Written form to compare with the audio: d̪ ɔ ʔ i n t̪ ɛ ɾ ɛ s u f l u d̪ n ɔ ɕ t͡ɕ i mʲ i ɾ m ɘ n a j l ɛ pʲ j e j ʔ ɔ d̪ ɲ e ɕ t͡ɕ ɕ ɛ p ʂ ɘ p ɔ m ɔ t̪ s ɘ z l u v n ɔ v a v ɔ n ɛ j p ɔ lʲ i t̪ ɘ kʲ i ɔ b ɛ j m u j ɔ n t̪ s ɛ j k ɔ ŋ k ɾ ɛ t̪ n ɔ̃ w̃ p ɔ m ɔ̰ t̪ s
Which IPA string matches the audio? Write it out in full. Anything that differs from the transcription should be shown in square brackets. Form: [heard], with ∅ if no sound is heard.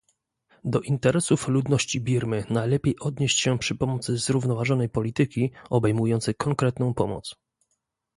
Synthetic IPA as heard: d̪ ɔ ʔ i n t̪ ɛ ɾ ɛ s u f l u d̪ n ɔ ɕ t͡ɕ i [bʲ] i ɾ m ɘ n a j l ɛ pʲ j e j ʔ ɔ d̪ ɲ e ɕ t͡ɕ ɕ ɛ p ʂ ɘ p ɔ m ɔ t̪ s ɘ z [ɾ] u v n ɔ v a [ʐ] ɔ n ɛ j p ɔ lʲ i t̪ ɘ kʲ i ɔ b ɛ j m u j ɔ n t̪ s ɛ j k ɔ ŋ k ɾ ɛ t̪ n ɔ̃ w̃ p ɔ m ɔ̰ t̪ s